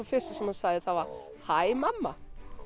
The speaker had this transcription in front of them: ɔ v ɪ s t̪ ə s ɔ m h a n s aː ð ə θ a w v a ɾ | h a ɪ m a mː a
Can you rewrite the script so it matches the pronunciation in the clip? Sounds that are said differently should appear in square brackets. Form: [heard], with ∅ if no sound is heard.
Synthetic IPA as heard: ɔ [f] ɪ s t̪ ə s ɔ m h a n s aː ð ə θ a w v a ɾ | h a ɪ m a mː a